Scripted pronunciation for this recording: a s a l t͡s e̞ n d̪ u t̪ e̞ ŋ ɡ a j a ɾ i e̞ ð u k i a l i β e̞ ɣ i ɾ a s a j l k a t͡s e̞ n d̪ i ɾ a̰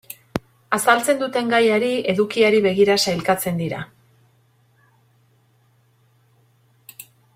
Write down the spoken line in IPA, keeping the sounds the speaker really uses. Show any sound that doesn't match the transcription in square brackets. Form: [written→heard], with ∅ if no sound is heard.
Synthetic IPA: a s a l t͡s e̞ n d̪ u t̪ e̞ ŋ ɡ a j a ɾ i e̞ ð u k i a [l→ɾ] i β e̞ ɣ i ɾ a s a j l k a t͡s e̞ n d̪ i ɾ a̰